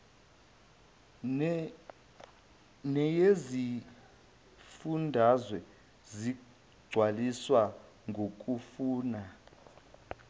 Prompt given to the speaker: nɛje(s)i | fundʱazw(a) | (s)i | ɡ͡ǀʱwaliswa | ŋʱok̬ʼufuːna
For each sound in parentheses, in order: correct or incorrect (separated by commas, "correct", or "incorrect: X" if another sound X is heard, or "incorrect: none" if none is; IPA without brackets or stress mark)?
incorrect: z, incorrect: ɛ, incorrect: z